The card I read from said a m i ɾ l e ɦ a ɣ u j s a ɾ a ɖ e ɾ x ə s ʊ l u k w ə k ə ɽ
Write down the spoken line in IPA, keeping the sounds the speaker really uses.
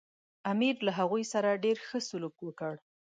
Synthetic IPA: a m i ɾ l a ɦ a ɣ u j s a ɾ a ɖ e ɾ x ə s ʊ l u k w ə k ə ɽ

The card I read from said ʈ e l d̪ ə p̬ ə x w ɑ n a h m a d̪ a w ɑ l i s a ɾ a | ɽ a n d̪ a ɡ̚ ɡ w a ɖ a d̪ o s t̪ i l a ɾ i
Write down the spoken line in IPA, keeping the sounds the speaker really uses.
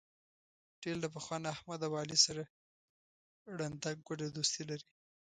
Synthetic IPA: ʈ e l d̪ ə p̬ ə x w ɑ n a h m a d̪ a w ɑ l i s a ɾ a | ɽ a n d̪ a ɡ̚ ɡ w a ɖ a d̪ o s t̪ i l a ɾ i

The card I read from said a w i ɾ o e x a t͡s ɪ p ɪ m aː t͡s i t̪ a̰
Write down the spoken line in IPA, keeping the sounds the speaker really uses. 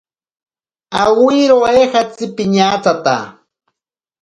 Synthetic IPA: a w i ɾ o e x a t͡s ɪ p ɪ ɲ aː t͡s a t̪ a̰

